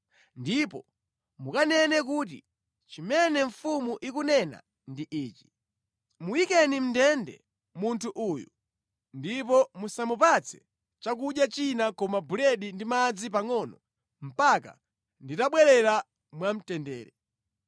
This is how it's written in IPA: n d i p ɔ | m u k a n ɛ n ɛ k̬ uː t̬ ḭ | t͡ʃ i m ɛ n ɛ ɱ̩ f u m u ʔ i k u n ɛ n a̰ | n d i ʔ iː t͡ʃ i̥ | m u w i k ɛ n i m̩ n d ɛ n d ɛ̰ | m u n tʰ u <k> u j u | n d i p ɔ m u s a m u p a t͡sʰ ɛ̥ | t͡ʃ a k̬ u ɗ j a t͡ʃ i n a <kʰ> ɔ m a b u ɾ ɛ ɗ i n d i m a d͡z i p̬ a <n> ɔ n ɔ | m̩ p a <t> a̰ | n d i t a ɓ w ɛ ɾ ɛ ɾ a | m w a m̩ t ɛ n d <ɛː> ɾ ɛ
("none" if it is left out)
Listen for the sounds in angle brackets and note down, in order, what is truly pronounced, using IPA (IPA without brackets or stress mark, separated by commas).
ʔ, k, ŋ, k, ɛː